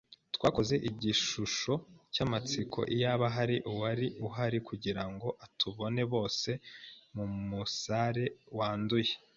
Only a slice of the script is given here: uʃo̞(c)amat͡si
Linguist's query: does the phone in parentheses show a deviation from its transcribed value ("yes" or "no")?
no